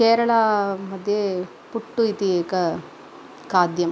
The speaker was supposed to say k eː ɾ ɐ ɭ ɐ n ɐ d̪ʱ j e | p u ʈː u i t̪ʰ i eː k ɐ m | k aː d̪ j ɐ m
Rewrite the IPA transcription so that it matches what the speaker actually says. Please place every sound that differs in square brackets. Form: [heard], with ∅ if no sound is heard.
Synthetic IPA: k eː ɾ ɐ ɭ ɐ [m] ɐ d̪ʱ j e | p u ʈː u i [t̪] i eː k ɐ [∅] | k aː d̪ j ɐ m